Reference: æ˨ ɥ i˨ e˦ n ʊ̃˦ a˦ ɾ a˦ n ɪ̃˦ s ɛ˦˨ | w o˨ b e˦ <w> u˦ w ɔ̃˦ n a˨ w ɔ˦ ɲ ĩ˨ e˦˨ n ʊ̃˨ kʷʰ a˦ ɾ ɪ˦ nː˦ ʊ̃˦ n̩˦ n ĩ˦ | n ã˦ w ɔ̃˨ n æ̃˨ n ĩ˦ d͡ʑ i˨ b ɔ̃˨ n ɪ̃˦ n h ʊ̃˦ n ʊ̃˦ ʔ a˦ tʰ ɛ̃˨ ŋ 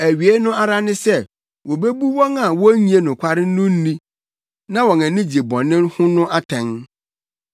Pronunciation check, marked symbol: incorrect: b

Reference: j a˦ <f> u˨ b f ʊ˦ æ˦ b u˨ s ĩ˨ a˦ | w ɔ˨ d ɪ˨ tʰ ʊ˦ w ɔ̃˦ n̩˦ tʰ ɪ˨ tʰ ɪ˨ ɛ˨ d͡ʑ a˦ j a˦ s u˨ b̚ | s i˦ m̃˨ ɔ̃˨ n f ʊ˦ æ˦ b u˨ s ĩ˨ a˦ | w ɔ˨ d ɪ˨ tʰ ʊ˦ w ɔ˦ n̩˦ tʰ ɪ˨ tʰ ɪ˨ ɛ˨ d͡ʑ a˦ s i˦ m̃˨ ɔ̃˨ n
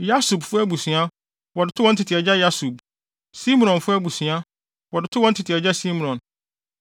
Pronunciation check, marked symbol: incorrect: s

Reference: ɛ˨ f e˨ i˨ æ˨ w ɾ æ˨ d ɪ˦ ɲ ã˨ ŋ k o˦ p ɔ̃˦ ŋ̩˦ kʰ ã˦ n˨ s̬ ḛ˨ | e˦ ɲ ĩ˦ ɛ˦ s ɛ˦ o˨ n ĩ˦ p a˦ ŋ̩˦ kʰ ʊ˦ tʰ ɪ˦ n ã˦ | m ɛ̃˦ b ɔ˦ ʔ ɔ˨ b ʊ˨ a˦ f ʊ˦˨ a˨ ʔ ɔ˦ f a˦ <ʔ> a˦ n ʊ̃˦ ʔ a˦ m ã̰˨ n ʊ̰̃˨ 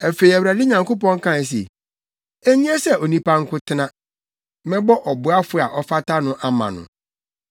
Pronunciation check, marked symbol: incorrect: t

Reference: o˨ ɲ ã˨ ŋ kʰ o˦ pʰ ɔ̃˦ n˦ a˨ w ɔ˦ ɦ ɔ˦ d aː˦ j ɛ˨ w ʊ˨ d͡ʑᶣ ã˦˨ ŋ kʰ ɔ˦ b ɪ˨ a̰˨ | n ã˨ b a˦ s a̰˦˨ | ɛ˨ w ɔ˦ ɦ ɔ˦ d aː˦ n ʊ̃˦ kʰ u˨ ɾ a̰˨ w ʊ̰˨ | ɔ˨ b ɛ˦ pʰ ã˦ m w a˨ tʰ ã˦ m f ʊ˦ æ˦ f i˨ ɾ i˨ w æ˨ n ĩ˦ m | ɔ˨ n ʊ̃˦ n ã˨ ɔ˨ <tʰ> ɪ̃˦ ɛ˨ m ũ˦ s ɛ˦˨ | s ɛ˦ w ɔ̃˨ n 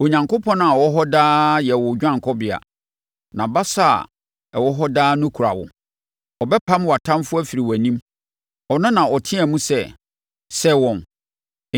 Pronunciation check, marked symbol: correct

